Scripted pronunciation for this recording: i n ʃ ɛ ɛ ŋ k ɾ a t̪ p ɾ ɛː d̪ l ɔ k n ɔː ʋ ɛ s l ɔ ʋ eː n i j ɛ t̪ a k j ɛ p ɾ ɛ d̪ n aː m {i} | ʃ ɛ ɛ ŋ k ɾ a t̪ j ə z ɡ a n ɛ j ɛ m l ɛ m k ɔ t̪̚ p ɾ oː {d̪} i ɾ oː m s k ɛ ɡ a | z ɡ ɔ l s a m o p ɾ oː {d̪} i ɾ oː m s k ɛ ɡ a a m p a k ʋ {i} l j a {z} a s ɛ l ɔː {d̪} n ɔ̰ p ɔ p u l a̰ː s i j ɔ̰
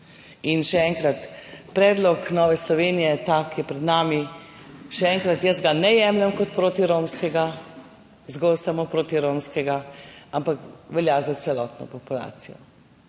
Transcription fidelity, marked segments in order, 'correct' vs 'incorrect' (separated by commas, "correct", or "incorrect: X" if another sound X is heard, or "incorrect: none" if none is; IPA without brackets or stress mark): correct, incorrect: t̪, incorrect: t̪, incorrect: ɛ, correct, incorrect: t̪